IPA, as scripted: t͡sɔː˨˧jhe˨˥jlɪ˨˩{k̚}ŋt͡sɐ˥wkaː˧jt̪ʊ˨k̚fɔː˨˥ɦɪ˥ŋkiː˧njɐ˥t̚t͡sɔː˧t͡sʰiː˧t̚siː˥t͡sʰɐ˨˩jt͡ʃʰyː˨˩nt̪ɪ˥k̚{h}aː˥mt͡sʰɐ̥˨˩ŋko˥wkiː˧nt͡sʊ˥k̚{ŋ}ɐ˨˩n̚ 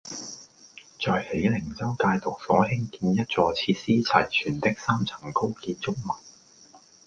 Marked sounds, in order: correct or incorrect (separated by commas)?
incorrect, incorrect, incorrect